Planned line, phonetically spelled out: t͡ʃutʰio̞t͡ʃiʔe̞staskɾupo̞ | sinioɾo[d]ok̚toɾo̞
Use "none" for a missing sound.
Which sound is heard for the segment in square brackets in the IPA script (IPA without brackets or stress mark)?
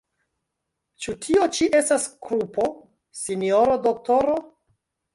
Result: d